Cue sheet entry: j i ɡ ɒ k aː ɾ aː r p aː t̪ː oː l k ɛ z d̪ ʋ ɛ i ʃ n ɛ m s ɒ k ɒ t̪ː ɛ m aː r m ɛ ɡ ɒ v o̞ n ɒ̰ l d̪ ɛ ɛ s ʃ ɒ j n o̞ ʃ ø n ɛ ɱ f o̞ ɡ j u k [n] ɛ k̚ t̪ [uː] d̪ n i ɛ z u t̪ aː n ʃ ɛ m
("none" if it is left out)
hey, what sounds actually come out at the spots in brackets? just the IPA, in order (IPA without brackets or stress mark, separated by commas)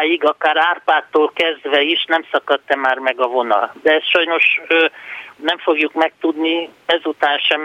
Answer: m, u